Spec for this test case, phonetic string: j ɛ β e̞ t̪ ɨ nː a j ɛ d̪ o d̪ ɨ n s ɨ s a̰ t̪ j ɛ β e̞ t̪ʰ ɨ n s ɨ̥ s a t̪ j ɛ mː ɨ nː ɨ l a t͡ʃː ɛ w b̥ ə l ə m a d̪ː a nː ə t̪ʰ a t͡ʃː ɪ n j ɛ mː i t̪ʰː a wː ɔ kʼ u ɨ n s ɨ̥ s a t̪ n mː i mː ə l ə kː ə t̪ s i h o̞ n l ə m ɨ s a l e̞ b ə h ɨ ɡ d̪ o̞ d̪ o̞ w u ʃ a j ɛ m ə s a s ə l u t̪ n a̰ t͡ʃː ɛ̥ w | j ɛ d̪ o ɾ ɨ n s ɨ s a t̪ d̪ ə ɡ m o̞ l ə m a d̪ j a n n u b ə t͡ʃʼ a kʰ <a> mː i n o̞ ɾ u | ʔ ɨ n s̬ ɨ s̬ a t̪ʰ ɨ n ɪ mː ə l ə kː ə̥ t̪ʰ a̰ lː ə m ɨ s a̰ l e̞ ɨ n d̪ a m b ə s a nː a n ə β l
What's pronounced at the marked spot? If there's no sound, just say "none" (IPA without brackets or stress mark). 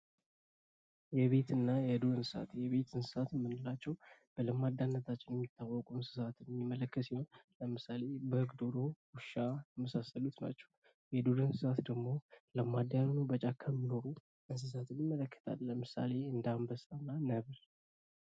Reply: ə